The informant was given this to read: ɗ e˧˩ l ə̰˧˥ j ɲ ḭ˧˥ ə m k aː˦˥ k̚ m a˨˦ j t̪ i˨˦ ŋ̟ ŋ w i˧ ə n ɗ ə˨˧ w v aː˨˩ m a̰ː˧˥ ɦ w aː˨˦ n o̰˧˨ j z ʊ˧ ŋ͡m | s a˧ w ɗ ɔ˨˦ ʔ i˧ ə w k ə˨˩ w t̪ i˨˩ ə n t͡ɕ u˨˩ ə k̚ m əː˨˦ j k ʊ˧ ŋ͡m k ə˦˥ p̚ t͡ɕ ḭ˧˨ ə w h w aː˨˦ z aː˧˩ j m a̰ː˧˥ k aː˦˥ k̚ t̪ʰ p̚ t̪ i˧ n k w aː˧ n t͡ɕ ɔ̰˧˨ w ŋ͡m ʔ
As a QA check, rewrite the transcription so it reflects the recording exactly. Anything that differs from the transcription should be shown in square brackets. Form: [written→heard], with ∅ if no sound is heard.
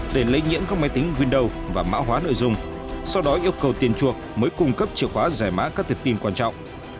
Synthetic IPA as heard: ɗ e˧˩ l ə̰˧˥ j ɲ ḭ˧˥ ə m k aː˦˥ k̚ m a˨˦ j t̪ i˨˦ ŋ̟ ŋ w i˧ ə n ɗ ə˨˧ w v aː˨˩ m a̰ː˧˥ ɦ w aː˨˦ n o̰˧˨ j z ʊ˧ ŋ͡m | s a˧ w ɗ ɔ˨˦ ʔ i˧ ə w k ə˨˩ w t̪ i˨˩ ə n t͡ɕ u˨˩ ə k̚ m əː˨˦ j k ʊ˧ ŋ͡m k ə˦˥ p̚ t͡ɕ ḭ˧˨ ə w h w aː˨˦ z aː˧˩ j m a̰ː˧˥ k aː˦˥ k̚ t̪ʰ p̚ t̪ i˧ n k w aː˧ n t͡ɕ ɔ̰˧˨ w ŋ͡m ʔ